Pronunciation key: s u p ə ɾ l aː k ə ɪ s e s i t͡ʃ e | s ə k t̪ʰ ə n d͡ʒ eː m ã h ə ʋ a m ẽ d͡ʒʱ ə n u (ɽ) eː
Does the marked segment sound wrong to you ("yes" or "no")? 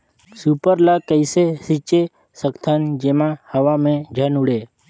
no